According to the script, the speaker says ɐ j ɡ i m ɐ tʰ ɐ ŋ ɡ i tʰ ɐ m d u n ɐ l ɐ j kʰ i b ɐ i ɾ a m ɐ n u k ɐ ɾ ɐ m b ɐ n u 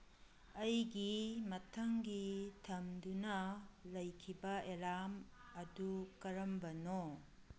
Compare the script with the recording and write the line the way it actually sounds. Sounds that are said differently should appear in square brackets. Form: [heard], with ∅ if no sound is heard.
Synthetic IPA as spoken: ɐ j ɡ i m ɐ tʰ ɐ ŋ ɡ i tʰ ɐ m d u n ɐ l ɐ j kʰ i b ɐ [e] ɾ a m ɐ [d] u k ɐ ɾ ɐ m b ɐ n [o]